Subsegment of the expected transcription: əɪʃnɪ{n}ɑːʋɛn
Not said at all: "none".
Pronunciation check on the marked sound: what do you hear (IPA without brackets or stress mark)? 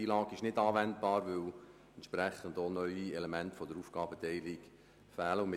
d